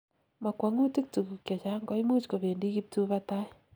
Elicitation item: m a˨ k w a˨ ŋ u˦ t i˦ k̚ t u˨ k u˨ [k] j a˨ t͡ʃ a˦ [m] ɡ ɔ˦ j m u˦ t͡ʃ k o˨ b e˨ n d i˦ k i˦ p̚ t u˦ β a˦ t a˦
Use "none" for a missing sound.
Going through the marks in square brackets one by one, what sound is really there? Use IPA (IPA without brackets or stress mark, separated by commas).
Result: k, ŋ